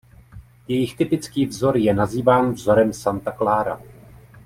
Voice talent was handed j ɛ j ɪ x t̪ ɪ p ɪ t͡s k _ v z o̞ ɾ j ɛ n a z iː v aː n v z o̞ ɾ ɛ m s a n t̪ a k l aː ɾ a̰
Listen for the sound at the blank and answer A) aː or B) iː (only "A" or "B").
B